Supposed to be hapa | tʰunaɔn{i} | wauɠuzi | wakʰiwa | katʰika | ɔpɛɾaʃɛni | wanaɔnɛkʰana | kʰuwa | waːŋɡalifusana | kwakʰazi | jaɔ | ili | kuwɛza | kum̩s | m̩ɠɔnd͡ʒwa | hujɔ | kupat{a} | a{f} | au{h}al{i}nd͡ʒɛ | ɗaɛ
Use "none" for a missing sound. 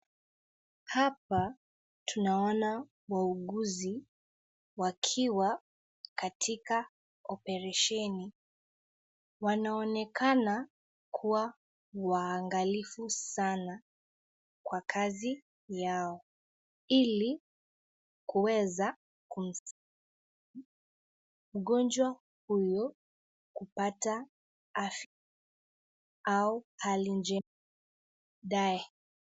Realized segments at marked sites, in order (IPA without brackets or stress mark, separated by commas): a, a, f, h, i